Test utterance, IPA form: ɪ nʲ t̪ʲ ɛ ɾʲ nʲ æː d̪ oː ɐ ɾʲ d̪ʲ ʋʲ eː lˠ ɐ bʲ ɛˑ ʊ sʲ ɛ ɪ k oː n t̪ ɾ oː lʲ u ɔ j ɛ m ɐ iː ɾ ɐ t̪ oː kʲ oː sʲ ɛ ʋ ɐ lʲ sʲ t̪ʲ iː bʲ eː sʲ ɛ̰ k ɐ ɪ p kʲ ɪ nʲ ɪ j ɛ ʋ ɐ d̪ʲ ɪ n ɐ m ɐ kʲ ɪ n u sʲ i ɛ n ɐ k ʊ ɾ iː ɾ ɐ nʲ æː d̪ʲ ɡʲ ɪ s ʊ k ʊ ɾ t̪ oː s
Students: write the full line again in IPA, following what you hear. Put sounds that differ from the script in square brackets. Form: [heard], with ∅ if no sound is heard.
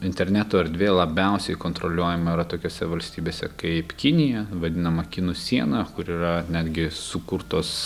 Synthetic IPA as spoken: ɪ nʲ t̪ʲ ɛ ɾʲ nʲ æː [t̪] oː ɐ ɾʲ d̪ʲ ʋʲ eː lˠ ɐ bʲ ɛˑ ʊ sʲ ɛ ɪ k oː n t̪ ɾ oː lʲ u ɔ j ɛ m ɐ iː ɾ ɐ t̪ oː kʲ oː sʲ ɛ ʋ ɐ lʲ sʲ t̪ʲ iː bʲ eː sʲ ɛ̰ k ɐ ɪ p kʲ ɪ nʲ ɪ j ɛ ʋ ɐ d̪ʲ ɪ n ɐ m ɐ kʲ ɪ n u sʲ i ɛ n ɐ k ʊ ɾ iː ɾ ɐ nʲ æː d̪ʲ ɡʲ ɪ s ʊ k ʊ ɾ t̪ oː s